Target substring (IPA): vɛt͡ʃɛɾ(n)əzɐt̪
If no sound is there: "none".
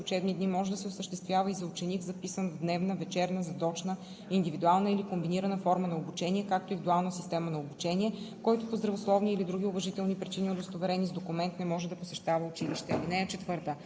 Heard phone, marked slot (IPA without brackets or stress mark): n